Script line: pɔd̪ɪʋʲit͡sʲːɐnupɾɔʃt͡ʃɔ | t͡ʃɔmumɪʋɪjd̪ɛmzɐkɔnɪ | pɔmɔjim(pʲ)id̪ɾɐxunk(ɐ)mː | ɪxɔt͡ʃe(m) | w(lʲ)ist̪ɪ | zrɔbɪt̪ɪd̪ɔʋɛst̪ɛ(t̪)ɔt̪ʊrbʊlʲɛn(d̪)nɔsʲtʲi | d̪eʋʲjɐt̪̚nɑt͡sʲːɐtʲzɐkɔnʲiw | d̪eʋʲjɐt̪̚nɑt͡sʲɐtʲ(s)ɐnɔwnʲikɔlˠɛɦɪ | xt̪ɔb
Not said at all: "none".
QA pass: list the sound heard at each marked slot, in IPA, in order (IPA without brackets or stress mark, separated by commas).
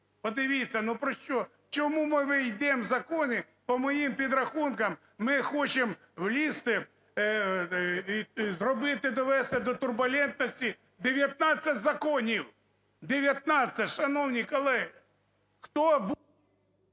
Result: pʲ, ɐ, m, lʲ, d̪, t̪, ʃ